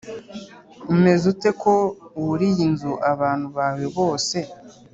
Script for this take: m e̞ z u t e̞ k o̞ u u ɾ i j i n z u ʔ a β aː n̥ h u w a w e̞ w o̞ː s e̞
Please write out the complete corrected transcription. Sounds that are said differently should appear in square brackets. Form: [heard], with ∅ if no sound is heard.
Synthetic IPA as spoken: m e̞ z u t e̞ k o̞ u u ɾ i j i n z u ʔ a β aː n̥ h u [β] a w e̞ [β] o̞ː s e̞